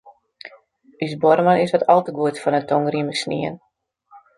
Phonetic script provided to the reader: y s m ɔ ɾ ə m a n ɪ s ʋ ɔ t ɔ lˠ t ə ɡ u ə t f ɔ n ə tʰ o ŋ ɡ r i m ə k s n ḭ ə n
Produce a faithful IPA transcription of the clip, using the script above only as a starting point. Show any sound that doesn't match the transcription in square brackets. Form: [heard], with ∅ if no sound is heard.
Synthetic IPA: y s [b] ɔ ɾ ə m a n ɪ s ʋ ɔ t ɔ lˠ t ə ɡ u ə t f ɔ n ə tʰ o ŋ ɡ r i m ə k s n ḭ ə n